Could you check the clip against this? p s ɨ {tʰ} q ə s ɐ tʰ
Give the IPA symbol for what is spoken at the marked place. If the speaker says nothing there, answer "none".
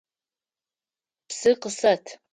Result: none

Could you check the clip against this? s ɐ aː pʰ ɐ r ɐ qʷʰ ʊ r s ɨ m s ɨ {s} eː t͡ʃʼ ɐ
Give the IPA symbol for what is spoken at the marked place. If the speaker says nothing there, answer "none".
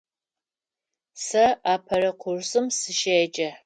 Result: ʃ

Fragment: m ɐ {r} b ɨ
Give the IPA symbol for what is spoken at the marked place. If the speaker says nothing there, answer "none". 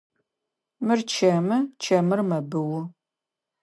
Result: none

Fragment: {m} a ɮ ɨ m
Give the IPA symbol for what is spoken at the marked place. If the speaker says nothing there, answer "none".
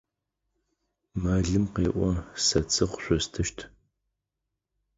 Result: m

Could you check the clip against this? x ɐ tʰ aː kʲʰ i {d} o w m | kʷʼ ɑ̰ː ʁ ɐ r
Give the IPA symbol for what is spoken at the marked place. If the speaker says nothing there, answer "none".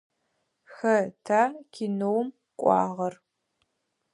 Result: n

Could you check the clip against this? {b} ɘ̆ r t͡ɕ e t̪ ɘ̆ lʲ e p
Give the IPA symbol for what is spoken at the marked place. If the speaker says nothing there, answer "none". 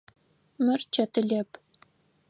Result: m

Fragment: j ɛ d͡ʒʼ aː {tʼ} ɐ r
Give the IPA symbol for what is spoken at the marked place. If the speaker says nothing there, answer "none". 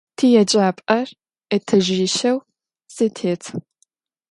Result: pʼ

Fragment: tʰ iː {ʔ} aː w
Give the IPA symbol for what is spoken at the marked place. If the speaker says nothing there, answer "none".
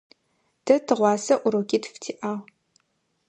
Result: ʔ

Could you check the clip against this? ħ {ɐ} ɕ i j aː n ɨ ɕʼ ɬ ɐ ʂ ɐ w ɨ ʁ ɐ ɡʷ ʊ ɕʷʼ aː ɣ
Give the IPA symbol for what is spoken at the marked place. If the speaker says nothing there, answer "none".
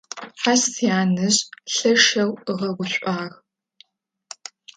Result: a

